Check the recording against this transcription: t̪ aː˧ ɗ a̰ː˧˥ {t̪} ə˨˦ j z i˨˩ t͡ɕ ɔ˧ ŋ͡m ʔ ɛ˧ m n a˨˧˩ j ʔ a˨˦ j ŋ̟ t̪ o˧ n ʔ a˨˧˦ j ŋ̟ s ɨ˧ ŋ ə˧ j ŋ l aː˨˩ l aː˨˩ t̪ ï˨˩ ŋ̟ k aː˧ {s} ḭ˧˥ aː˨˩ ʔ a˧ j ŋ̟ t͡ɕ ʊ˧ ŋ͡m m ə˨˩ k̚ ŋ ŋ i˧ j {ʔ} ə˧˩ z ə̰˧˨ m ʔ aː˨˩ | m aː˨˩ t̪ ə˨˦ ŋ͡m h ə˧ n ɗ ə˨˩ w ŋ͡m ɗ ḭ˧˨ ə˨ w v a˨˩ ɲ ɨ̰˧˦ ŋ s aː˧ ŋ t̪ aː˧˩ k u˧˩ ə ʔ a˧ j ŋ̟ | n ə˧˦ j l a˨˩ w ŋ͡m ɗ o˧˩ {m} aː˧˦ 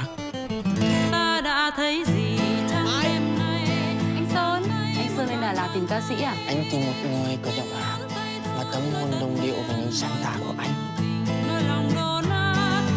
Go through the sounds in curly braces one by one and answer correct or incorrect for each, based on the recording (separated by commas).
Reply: incorrect, correct, incorrect, incorrect